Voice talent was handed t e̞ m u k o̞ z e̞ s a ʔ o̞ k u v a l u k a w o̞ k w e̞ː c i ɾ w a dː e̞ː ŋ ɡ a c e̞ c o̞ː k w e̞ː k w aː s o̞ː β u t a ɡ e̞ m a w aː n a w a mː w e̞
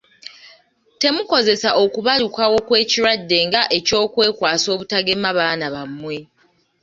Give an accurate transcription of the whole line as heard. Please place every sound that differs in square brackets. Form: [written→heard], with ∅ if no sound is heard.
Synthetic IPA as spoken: t e̞ m u k o̞ z e̞ s a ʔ o̞ k u [v→β] a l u k a w o̞ k w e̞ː c i ɾ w a dː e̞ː ŋ ɡ a [c→ʔ] e̞ c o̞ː k w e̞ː k w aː s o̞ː β u t a ɡ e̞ m a [w→β] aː n a [w→β] a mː w e̞